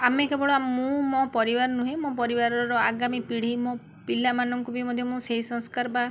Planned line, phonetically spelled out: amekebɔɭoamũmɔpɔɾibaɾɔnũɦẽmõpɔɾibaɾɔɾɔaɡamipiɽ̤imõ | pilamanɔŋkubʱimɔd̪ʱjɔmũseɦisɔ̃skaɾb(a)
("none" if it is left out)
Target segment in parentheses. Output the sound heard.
a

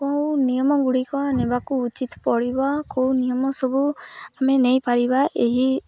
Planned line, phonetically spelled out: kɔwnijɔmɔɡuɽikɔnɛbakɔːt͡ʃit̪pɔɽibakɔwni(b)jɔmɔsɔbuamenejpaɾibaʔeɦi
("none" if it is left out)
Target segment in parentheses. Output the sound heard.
none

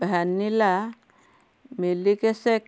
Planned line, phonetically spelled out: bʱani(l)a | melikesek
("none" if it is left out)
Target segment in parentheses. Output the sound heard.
l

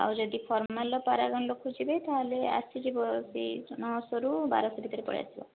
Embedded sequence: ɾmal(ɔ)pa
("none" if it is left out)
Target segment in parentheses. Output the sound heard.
ɔ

